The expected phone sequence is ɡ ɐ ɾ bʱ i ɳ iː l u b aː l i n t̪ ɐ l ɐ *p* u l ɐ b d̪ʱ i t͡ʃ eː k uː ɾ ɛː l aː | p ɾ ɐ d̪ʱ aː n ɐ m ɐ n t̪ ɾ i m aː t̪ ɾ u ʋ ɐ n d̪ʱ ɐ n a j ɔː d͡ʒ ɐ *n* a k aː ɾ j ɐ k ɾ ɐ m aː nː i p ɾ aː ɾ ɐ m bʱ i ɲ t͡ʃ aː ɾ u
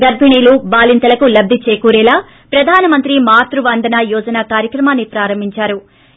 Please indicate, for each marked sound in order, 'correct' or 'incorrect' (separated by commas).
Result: incorrect, correct